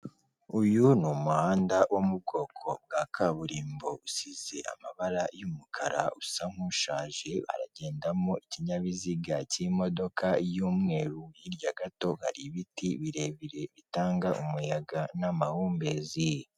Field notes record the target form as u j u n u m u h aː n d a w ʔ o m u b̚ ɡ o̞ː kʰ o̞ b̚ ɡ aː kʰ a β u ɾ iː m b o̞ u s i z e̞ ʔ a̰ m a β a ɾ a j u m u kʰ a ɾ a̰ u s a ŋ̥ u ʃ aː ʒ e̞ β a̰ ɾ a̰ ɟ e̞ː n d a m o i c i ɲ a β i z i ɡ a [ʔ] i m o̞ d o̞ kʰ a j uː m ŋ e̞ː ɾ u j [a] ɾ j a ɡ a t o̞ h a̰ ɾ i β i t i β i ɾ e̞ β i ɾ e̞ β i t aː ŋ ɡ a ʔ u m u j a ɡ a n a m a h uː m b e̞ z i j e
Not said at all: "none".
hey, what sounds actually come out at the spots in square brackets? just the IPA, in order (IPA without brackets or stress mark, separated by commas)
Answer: c, i